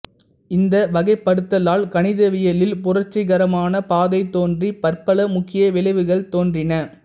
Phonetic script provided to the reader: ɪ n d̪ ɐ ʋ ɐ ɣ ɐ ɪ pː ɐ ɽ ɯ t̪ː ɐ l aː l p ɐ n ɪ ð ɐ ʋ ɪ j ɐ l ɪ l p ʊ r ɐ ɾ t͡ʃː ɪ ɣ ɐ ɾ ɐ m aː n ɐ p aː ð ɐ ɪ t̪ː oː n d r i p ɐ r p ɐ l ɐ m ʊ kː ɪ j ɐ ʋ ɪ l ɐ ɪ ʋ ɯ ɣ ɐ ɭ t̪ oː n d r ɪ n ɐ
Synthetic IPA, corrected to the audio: ɪ n d̪ ɐ ʋ ɐ ɣ ɐ ɪ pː ɐ ɽ ɯ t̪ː ɐ l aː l k ɐ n ɪ ð ɐ ʋ ɪ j ɐ l ɪ l p ʊ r ɐ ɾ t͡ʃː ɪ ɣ ɐ ɾ ɐ m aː n ɐ p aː ð ɐ ɪ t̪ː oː n d r i p ɐ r p ɐ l ɐ m ʊ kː ɪ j ɐ ʋ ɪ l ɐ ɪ ʋ ɯ ɣ ɐ ɭ t̪ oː n d r ɪ n ɐ